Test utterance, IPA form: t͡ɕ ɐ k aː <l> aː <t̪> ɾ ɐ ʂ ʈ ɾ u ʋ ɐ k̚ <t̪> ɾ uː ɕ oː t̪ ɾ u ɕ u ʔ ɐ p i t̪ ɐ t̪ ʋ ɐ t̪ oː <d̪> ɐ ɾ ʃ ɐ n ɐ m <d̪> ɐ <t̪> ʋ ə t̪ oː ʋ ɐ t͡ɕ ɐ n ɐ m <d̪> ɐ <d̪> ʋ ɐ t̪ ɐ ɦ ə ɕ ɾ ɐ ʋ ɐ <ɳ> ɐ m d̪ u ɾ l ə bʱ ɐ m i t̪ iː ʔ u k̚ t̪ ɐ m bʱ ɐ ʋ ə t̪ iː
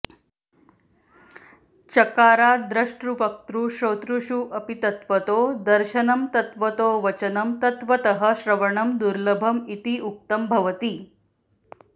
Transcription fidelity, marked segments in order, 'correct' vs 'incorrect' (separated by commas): incorrect, incorrect, correct, correct, incorrect, correct, incorrect, incorrect, correct